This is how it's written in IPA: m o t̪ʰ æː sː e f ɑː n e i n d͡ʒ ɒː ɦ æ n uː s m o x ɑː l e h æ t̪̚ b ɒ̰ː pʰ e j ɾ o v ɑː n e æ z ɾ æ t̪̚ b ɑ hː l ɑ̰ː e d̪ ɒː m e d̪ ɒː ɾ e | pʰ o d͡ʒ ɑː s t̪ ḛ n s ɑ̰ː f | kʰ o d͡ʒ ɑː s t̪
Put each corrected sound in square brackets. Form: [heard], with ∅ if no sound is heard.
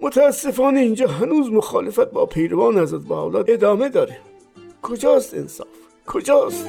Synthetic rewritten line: m o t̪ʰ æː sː e f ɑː n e i n d͡ʒ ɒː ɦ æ n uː [z] m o x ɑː l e [f] æ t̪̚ b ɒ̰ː pʰ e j ɾ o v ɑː n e æ z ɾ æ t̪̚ b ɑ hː l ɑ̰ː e d̪ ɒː m e d̪ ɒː ɾ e | [kʰ] o d͡ʒ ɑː s t̪ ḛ n s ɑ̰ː f | kʰ o d͡ʒ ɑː s t̪